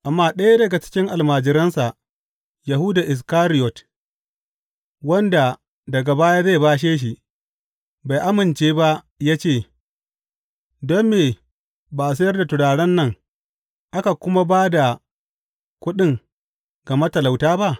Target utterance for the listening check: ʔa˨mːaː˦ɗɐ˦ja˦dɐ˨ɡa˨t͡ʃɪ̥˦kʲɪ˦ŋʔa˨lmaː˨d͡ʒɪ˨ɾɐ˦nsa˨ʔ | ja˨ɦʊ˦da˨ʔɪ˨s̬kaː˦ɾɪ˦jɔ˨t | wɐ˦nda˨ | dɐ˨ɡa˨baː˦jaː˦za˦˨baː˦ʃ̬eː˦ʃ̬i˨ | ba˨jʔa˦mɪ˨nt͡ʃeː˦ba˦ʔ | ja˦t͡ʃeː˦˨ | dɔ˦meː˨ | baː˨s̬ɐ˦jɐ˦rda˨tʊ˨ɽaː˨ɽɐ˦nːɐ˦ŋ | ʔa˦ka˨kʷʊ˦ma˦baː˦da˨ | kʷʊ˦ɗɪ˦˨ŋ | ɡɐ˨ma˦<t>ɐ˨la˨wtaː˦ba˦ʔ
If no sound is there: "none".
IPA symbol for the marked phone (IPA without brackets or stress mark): t